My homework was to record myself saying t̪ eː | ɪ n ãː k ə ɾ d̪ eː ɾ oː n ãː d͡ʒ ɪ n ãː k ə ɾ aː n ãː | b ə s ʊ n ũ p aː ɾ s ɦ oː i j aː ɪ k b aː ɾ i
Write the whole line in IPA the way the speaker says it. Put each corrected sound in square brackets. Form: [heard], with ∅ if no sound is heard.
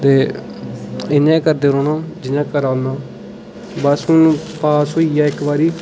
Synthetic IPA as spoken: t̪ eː | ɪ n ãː k ə ɾ d̪ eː ɾ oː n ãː d͡ʒ ɪ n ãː k ə ɾ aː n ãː | b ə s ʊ n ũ p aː [∅] s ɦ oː i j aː ɪ k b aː ɾ [iː]